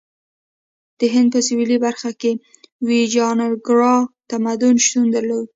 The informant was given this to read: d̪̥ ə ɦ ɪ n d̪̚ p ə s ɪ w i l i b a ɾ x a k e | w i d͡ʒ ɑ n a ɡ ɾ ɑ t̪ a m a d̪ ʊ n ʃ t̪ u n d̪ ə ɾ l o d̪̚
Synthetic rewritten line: d̪̥ ə ɦ ɪ n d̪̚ p ə s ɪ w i l i b a ɾ x a k e | w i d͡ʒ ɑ n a ɡ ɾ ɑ t̪ a m a d̪ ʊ n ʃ t̪ u n d̪ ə ɾ l o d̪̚